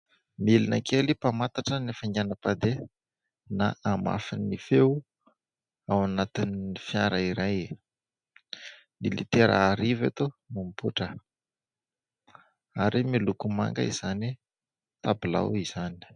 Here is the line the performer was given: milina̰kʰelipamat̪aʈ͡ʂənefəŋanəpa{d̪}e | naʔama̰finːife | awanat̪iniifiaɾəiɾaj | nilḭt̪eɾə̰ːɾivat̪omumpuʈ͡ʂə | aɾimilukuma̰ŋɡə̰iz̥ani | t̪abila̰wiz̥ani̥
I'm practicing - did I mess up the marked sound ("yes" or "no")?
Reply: no